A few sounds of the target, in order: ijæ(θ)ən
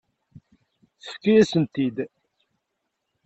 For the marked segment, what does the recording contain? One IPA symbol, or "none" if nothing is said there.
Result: s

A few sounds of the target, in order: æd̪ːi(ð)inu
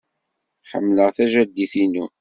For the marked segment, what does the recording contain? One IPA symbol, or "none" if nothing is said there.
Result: θ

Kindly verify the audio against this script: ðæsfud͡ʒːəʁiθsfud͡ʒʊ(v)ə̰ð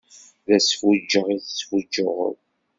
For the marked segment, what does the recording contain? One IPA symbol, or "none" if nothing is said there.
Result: ʁ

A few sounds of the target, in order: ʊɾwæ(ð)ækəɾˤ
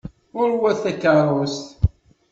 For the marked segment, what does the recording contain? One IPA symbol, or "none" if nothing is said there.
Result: θ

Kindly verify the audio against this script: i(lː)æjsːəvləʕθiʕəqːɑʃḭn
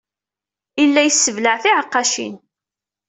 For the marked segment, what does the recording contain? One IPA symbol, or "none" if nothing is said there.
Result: lː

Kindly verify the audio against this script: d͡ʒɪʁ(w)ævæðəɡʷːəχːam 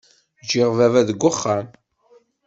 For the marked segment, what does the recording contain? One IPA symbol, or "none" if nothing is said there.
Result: v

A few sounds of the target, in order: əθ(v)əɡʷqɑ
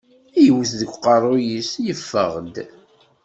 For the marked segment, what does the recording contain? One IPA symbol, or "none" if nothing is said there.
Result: ð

